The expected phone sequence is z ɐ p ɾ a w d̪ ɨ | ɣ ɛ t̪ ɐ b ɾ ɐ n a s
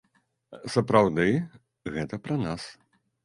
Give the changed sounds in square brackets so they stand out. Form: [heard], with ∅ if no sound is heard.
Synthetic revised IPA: [s] ɐ p ɾ a w d̪ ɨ | ɣ ɛ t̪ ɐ [p] ɾ ɐ n a s